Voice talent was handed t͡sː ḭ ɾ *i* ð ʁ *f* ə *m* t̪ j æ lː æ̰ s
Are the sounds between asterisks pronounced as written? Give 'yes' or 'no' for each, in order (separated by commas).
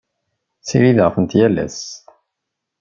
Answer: yes, yes, no